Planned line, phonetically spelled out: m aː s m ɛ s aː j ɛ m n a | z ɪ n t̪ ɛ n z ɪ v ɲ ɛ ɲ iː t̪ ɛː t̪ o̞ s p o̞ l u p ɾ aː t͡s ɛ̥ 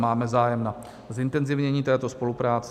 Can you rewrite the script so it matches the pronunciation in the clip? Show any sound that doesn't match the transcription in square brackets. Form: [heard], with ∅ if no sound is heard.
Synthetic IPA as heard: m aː [∅] m ɛ [z] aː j ɛ m n a | z ɪ n t̪ ɛ n z ɪ v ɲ ɛ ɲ iː t̪ ɛː t̪ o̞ s p o̞ l u p ɾ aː t͡s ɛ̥